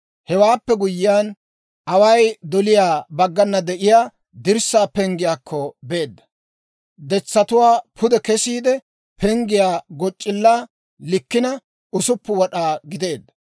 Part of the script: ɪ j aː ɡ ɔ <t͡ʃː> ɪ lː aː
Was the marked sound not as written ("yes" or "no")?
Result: yes